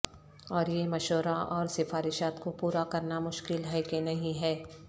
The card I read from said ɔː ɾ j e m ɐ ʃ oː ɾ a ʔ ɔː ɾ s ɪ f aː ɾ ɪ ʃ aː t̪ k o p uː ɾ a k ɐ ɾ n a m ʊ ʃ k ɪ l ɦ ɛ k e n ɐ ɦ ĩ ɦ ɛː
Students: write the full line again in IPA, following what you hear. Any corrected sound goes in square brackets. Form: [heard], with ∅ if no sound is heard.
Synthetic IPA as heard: ɔː ɾ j e m ɐ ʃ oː ɾ a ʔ ɔː ɾ s ɪ f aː ɾ ɪ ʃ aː t̪ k o p uː ɾ a k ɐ ɾ n a m ʊ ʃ k ɪ l ɦ ɛ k e n ɐ ɦ ĩ ɦ ɛː